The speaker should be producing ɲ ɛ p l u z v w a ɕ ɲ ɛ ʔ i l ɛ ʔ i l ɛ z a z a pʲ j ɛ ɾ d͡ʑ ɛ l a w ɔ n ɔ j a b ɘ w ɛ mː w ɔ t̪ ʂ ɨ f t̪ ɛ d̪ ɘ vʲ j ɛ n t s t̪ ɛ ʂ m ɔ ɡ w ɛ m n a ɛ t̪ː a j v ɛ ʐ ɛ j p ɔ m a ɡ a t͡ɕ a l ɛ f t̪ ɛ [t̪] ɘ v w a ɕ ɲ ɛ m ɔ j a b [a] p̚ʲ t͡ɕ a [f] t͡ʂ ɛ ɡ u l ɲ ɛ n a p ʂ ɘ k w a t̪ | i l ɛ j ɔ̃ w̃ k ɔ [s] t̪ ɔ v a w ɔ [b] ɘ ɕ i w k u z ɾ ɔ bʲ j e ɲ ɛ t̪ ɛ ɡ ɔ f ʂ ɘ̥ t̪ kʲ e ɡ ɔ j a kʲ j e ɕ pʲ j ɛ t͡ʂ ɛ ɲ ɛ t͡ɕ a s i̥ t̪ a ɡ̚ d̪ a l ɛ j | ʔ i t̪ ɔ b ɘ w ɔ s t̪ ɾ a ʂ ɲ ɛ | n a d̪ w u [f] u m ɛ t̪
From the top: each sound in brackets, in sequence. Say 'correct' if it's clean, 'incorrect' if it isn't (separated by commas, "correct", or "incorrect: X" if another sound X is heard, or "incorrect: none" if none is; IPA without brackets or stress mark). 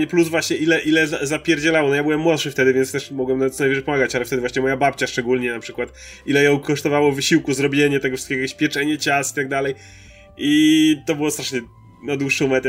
incorrect: d̪, correct, incorrect: ʂ, incorrect: ʂ, incorrect: v, incorrect: ʂ